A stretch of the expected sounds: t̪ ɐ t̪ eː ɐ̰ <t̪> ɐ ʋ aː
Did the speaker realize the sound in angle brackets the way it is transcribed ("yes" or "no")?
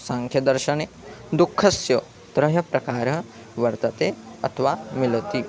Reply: no